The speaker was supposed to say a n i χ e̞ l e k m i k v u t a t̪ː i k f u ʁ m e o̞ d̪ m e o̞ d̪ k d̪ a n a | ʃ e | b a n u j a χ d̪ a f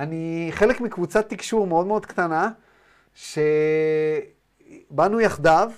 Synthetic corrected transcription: a n i χ e̞ l e k m i k v u t͡s a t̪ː i k ʃ u ʁ m e o̞ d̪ m e o̞ d̪ k t̪ a n a | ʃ e | b a n u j a χ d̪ a v